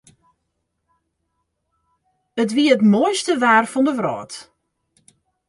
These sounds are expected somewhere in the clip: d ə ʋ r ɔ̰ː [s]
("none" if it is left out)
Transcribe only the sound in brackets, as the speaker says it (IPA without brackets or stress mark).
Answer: t